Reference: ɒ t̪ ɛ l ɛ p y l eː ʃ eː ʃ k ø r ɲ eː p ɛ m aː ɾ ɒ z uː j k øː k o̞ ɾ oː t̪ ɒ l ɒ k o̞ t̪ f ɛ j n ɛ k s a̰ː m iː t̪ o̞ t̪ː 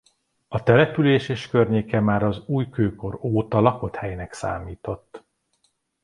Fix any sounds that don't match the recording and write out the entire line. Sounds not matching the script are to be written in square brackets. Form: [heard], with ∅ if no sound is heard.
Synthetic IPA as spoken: ɒ t̪ ɛ l ɛ p y l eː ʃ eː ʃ k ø r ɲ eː [k] ɛ m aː ɾ ɒ z uː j k øː k o̞ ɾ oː t̪ ɒ l ɒ k o̞ t̪ [h] ɛ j n ɛ k s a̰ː m iː t̪ o̞ t̪ː